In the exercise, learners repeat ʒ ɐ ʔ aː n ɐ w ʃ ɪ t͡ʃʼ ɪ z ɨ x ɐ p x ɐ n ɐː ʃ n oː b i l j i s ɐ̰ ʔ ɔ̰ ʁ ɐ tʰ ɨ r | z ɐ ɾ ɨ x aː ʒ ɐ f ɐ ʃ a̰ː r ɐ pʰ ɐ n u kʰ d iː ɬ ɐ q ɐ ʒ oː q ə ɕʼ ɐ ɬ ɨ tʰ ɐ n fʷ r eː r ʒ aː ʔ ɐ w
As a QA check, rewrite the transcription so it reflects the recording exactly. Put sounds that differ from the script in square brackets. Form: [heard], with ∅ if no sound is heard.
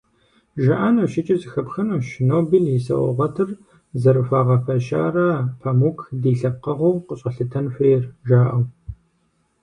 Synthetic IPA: ʒ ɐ ʔ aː n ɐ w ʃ ɪ t͡ʃʼ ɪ z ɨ x ɐ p x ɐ n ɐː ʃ n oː b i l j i s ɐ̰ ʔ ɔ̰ ʁ ɐ tʰ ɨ r | z ɐ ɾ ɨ [f] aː [ʁ] ɐ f ɐ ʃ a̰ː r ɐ pʰ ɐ [m] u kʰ d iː ɬ ɐ q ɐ [ʁ] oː q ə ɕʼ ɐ ɬ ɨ tʰ ɐ n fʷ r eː r ʒ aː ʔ ɐ w

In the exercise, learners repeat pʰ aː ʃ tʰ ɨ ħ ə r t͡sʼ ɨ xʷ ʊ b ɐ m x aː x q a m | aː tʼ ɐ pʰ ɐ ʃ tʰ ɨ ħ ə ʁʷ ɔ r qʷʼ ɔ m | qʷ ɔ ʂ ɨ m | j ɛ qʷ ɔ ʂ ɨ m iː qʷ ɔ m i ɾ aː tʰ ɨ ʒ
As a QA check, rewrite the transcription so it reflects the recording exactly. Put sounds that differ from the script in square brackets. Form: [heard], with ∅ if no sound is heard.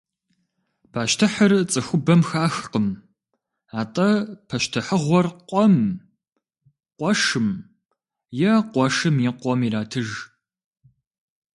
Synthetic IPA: pʰ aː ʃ tʰ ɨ ħ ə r t͡sʼ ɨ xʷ ʊ b ɐ m x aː x q [ə] m | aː tʼ ɐ pʰ ɐ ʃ tʰ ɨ ħ ə ʁʷ ɔ r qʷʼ ɔ m | qʷ ɔ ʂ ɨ m | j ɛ qʷ ɔ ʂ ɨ m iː qʷ ɔ m i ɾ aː tʰ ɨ ʒ

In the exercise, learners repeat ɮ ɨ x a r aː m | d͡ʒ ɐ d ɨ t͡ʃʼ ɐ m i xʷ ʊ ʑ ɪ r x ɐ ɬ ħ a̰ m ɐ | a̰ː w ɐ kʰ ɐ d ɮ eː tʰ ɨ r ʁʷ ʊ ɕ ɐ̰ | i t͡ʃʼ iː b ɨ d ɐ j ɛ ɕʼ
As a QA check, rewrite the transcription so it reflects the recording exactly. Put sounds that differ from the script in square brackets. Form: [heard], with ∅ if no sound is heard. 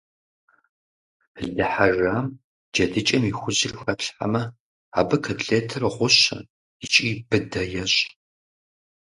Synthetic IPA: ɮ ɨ [ħ] a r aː m | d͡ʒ ɐ d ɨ t͡ʃʼ ɐ m i xʷ ʊ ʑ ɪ r x ɐ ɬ ħ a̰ m ɐ | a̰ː [b] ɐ kʰ ɐ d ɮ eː tʰ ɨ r ʁʷ ʊ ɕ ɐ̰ | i t͡ʃʼ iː b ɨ d ɐ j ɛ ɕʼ

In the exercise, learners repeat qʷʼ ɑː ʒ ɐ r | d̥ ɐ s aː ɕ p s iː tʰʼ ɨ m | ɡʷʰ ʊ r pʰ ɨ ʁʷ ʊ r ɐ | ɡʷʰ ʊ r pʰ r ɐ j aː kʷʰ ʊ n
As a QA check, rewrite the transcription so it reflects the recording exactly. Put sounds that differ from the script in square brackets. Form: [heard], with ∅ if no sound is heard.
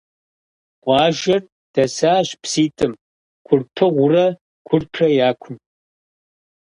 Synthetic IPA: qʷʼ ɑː ʒ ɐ r | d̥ ɐ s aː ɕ p s iː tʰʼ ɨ m | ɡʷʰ ʊ r pʰ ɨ ʁʷ ʊ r ɐ | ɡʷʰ ʊ r pʰ r ɐ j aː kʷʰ ʊ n

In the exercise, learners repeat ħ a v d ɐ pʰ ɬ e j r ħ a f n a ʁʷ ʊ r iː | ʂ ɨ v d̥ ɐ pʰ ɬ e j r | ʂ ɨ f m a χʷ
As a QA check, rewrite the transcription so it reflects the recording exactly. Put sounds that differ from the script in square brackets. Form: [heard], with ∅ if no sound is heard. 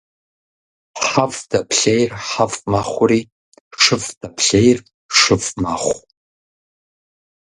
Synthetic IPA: ħ a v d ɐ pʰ ɬ e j r ħ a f [m] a [χʷ] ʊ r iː | ʂ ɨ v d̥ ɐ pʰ ɬ e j r | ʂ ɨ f m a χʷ

